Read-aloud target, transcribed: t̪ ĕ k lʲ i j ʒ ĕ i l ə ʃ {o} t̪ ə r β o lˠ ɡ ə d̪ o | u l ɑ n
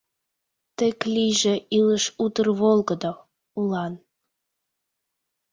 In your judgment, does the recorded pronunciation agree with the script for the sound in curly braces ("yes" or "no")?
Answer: no